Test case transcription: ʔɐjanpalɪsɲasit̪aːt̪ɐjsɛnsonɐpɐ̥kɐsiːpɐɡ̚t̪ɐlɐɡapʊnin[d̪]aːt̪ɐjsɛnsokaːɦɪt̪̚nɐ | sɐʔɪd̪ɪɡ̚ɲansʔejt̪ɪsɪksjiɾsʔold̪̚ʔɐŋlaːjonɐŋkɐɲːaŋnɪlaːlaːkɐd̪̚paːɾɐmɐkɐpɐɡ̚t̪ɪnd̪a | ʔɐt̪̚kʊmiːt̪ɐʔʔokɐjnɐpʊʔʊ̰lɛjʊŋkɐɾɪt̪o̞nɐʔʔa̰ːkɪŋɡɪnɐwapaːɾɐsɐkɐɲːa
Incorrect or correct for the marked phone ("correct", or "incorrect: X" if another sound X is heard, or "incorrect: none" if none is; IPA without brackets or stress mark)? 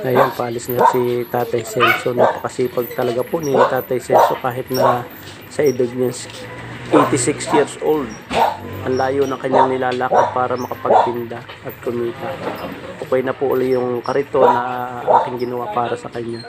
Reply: incorrect: t̪